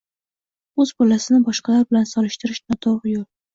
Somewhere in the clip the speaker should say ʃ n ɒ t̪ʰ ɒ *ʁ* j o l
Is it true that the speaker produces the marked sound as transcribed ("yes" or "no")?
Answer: yes